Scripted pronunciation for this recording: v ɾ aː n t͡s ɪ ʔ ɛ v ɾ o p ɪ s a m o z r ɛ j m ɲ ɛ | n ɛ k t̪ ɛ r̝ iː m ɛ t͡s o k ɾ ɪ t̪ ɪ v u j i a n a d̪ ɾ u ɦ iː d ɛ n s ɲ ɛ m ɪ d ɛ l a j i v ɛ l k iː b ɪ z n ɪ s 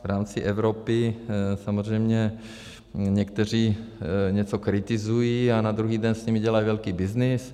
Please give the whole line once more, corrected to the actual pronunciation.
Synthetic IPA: v ɾ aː m t͡s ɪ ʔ ɛ v ɾ o p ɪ s a m o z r ɛ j m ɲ ɛ | ɲ ɛ k t̪ ɛ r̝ iː ɲ ɛ t͡s o k ɾ ɪ t̪ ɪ z u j i a n a d̪ ɾ u ɦ iː d ɛ n s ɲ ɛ m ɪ ɟ ɛ l a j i v ɛ l k iː b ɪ z n ɪ s